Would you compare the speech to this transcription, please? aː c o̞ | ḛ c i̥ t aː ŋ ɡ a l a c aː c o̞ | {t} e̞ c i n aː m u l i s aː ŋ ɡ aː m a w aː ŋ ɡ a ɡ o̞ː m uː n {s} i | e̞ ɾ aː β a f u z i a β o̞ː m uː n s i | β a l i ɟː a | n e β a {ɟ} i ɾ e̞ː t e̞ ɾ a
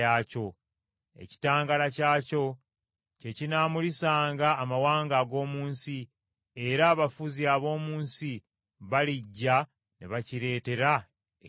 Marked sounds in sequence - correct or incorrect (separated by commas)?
incorrect, correct, incorrect